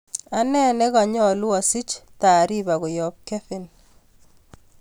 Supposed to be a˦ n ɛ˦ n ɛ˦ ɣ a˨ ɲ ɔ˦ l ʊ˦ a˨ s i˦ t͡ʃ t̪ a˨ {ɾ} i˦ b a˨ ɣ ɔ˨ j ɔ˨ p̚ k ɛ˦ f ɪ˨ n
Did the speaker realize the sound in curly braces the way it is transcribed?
yes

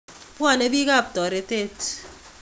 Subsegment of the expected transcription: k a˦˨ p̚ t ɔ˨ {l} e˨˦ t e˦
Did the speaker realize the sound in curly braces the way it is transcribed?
no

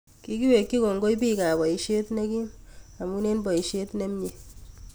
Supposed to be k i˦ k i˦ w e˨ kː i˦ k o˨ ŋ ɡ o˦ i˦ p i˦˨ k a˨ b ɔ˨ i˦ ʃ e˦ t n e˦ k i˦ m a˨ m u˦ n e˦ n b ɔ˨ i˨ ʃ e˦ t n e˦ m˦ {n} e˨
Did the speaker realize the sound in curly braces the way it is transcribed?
no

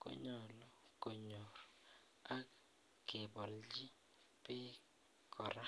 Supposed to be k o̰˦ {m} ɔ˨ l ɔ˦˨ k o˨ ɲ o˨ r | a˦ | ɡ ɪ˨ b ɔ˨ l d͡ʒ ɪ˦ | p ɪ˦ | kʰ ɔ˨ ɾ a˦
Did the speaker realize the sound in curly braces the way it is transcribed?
no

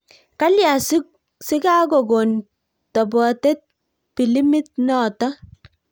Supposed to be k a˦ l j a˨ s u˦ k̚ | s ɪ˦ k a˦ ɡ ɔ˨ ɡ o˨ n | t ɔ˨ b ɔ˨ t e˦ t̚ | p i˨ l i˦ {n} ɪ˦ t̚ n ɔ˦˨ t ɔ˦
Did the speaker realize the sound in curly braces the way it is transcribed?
no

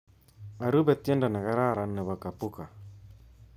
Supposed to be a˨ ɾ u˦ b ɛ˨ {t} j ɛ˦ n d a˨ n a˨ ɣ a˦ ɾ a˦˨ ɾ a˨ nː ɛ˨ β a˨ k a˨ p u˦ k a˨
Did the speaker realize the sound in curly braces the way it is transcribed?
yes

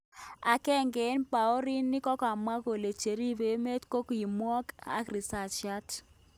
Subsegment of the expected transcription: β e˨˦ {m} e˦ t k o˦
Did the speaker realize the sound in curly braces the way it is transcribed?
yes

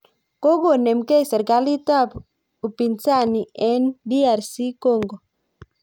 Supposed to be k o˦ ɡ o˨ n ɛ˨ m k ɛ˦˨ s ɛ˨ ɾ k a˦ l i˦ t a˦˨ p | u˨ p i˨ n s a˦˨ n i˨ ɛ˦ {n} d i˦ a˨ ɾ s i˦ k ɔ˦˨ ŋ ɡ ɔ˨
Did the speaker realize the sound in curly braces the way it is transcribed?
yes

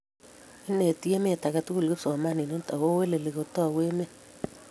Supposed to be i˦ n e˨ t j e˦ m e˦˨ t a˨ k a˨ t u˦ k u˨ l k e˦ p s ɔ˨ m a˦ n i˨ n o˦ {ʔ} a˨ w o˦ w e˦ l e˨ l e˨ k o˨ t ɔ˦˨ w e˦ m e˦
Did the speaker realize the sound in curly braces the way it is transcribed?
no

